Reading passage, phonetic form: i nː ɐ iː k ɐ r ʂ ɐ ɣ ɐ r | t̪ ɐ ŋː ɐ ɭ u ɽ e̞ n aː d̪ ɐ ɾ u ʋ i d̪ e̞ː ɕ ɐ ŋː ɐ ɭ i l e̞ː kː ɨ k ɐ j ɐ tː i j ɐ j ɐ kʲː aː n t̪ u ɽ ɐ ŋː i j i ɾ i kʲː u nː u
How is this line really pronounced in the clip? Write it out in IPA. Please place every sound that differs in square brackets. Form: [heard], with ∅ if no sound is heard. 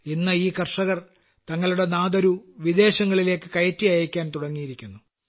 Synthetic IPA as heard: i nː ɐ iː k ɐ r ʂ ɐ ɣ ɐ r | t̪ ɐ ŋː ɐ ɭ u ɽ e̞ n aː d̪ ɐ ɾ u ʋ i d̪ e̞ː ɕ ɐ ŋː ɐ ɭ i l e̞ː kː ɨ k ɐ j ɐ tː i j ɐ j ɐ kʲː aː n t̪ u ɽ ɐ ŋː i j i ɾ i kʲː u nː u